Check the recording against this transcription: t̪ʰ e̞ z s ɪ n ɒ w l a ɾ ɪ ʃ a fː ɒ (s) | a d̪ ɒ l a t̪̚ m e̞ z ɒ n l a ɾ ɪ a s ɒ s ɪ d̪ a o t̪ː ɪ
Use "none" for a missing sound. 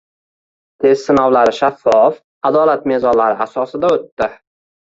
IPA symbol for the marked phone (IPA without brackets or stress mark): f